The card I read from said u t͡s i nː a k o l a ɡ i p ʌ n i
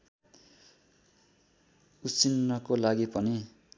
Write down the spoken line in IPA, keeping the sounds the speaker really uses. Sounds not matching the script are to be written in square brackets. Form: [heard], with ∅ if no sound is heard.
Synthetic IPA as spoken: u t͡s i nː [ʌ] k o l a ɡ i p ʌ n i